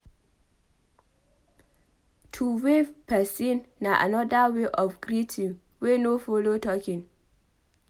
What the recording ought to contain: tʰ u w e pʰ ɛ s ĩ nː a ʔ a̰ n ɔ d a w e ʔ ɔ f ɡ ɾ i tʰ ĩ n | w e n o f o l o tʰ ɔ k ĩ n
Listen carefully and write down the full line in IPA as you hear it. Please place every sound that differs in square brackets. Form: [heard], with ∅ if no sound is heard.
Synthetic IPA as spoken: tʰ u w e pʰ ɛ s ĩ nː a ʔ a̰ n ɔ d a w e ʔ ɔ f ɡ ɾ i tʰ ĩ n | w e n o f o l o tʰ ɔ k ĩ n